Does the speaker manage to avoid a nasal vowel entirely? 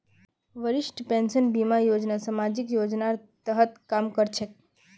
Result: yes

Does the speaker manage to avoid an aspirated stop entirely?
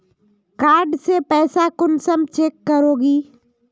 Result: yes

